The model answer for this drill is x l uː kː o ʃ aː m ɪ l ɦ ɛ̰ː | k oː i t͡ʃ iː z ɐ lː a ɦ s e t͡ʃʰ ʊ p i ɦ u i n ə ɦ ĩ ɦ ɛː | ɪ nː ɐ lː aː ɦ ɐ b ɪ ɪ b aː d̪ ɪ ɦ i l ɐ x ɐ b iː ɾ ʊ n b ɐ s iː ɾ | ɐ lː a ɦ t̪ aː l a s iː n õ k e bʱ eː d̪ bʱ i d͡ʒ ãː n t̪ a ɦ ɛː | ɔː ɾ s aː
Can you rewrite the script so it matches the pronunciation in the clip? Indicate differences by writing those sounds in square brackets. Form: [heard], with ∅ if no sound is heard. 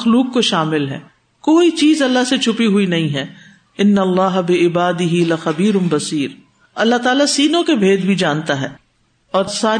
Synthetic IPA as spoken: x l uː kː o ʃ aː m ɪ l ɦ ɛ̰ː | k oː i t͡ʃ iː z ɐ lː a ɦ s e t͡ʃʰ ʊ p i ɦ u i n [ɐ] ɦ ĩ ɦ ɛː | ɪ nː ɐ lː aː ɦ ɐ b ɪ ɪ b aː d̪ ɪ ɦ i l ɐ x ɐ b iː ɾ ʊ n b ɐ s iː ɾ | ɐ lː a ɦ t̪ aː l a s iː n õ k e bʱ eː d̪ bʱ i d͡ʒ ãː n t̪ a ɦ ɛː | ɔː ɾ s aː